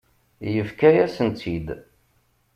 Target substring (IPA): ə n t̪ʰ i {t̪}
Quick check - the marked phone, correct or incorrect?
incorrect